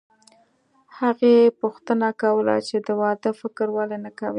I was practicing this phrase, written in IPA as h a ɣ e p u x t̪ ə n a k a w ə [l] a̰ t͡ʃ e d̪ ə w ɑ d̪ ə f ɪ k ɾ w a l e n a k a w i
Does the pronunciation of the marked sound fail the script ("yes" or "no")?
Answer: no